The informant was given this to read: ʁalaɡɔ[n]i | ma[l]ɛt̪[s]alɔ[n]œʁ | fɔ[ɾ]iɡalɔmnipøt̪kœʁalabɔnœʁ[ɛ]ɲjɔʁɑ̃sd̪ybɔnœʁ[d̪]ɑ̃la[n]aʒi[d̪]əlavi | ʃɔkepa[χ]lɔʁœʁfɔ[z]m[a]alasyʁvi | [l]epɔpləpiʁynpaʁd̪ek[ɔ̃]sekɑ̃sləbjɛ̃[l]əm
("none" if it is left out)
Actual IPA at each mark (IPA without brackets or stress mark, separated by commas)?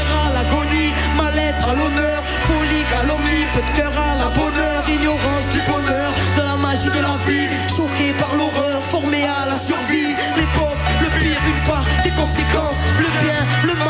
n, l, χ, n, l, i, d̪, m, d̪, ʁ, ʁ, e, l, ɔ̃, l